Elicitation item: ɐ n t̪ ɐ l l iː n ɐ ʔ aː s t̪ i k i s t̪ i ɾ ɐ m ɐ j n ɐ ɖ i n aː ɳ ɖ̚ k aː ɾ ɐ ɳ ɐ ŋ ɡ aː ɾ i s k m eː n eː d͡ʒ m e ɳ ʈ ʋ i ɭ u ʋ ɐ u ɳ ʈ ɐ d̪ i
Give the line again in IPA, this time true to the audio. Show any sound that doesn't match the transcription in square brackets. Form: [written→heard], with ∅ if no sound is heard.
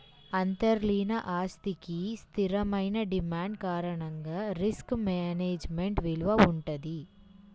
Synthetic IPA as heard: ɐ n t̪ ɐ [l→ɾ] l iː n ɐ ʔ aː s t̪ i k i s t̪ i ɾ ɐ m ɐ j n ɐ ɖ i [n→m] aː ɳ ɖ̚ k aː ɾ ɐ ɳ ɐ ŋ ɡ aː ɾ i s k m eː n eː d͡ʒ m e ɳ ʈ ʋ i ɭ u ʋ ɐ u ɳ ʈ ɐ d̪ i